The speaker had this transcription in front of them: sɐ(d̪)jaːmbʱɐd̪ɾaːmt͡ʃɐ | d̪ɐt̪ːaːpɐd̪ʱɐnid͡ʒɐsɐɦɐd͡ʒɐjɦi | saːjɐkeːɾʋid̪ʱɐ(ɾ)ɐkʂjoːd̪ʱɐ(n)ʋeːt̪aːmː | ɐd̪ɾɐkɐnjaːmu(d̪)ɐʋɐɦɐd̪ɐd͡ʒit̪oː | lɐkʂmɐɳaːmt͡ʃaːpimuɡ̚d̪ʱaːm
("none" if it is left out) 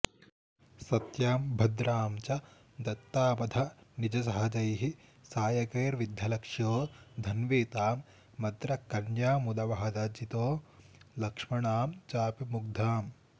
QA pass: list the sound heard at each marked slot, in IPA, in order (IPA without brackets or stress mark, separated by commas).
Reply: t̪, l, n, d̪